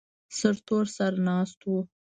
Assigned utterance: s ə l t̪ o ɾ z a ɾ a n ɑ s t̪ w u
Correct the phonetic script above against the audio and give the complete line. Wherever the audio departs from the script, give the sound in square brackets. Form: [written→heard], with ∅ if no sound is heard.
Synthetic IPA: s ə [l→ɾ] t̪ o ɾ [z→s] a ɾ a n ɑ s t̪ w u

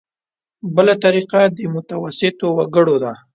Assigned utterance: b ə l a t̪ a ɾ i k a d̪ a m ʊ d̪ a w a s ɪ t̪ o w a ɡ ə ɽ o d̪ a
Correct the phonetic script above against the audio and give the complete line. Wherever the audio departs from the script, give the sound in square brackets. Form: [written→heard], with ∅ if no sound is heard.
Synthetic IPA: b ə l a t̪ a ɾ i [k→q] a d̪ [a→ə] m ʊ [d̪→t̪] a w a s ɪ t̪ o w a ɡ ə ɽ o d̪ a

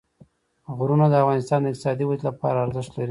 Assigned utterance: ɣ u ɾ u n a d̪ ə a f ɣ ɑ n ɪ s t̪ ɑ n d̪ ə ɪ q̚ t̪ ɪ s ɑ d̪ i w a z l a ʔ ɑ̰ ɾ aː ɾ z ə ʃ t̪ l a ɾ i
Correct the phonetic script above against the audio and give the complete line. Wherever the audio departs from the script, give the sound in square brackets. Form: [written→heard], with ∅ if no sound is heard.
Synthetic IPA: ɣ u ɾ u n a d̪ ə a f ɣ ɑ n ɪ s t̪ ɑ n d̪ ə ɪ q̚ t̪ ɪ s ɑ d̪ i w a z l a [ʔ→p] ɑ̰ ɾ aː ɾ z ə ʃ t̪ l a ɾ i

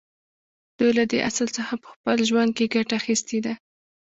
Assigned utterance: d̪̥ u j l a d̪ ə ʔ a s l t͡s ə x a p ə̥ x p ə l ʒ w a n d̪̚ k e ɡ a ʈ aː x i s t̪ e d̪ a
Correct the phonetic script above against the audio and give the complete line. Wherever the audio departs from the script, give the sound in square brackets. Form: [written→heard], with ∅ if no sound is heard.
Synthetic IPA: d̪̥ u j l a d̪ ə ʔ a s l t͡s ə x a p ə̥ x p ə l ʒ w a n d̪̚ k e ɡ a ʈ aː x i s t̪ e d̪ a

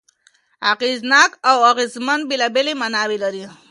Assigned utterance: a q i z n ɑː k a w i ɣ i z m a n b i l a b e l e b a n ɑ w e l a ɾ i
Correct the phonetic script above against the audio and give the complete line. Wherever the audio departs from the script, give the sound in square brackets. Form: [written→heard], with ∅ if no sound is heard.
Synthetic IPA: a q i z n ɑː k a w [i→a] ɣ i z m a n b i l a b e l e [b→m] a n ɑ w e l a ɾ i

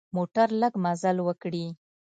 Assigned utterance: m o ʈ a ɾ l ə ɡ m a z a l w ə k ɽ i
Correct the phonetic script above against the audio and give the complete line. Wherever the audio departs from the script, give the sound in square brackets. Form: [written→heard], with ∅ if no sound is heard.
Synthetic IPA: m o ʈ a ɾ l ə ɡ m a z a l w ə k ɽ i

